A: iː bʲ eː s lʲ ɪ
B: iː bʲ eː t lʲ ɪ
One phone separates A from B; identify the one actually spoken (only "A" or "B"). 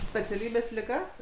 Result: A